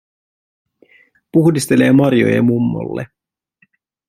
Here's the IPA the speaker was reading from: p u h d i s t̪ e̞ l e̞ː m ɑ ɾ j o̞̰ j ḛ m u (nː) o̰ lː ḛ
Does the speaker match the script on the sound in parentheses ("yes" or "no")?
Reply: no